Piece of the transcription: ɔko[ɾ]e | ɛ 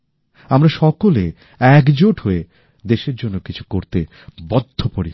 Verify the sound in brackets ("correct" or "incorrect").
incorrect